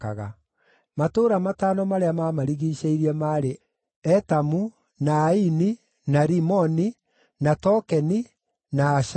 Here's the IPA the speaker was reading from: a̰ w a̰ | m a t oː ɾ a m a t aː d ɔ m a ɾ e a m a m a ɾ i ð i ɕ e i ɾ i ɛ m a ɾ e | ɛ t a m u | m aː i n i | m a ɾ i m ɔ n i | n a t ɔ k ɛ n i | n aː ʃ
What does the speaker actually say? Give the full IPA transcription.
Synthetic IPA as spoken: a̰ ɣ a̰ | m a t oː ɾ a m a t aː n ɔ m a ɾ e a m a m a ɾ i ɣ i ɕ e i ɾ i ɛ m a ɾ e | ɛ t a m u | n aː i n i | n a ɾ i m ɔ n i | n a t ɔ k ɛ n i | n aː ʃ